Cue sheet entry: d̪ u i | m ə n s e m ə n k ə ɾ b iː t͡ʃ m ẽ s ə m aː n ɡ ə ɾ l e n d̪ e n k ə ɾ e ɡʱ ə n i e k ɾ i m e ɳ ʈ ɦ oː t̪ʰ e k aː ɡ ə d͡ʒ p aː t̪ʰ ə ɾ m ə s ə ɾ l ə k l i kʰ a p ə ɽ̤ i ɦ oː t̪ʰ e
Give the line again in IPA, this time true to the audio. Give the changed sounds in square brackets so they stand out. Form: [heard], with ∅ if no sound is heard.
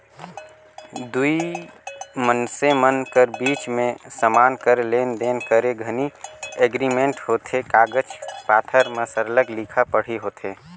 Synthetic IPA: d̪ u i | m ə n s e m ə n k ə ɾ b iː t͡ʃ m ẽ s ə m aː n [k] ə ɾ l e n d̪ e n k ə ɾ e ɡʱ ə n i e [ɡ] ɾ i m e ɳ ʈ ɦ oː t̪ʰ e k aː ɡ ə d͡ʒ p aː t̪ʰ ə ɾ m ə s ə ɾ l ə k l i kʰ a p ə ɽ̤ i ɦ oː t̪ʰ e